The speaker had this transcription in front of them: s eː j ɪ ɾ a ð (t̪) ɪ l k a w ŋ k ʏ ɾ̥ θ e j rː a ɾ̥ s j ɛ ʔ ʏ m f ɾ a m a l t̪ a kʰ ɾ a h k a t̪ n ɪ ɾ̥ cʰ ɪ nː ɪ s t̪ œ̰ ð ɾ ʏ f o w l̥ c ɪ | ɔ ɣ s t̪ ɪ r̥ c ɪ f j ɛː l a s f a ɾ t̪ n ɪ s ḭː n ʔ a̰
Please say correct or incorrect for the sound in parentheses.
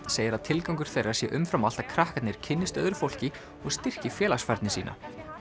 incorrect